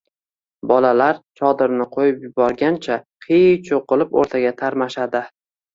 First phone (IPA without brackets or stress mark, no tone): b